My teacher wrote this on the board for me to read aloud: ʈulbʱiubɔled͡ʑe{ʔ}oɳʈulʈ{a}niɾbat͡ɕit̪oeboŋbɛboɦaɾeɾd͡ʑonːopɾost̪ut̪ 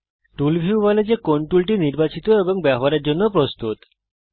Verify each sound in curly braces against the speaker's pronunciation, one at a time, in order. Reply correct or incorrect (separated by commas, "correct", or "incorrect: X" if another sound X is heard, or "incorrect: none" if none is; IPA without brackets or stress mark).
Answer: incorrect: k, incorrect: i